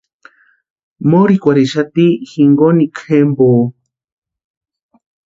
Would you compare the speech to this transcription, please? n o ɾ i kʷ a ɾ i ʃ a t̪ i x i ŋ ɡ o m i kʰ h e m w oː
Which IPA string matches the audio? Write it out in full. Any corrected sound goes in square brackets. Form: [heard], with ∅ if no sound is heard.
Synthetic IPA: [m] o ɾ i kʷ a ɾ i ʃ a t̪ i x i ŋ ɡ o [n] i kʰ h e m [b] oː